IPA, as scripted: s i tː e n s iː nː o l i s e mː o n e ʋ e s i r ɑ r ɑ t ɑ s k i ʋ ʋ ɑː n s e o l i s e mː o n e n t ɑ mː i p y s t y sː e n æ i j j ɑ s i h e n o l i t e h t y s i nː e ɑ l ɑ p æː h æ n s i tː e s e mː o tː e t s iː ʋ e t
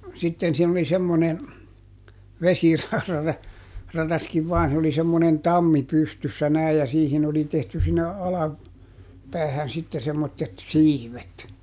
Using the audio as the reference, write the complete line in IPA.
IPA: s i tː e n s iː n o l i s e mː o n e ʋ e s i r ɑ r ɑ t ɑ s k i ʋ ʋ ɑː n s e o l i s e mː o n e n t ɑ mː i p y s t y sː æ n æ i j j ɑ s iː h i n o l i t e h t y s i nː e ɑ l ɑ p æː h æ n s i tː e s e mː o tː e t s iː ʋ e t